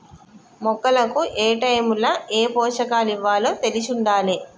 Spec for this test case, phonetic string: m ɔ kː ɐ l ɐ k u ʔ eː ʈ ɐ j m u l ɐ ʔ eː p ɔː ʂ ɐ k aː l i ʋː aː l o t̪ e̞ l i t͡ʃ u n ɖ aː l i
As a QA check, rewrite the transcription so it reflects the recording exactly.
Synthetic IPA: m ɔ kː ɐ l ɐ k u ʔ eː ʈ ɐ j m u l ɐ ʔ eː p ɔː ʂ ɐ k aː l i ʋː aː l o t̪ e̞ l i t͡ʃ u ɳ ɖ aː l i